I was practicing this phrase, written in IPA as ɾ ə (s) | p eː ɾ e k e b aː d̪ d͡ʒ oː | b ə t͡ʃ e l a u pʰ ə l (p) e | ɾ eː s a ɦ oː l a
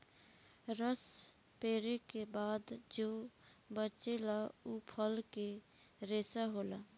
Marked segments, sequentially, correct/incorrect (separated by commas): correct, incorrect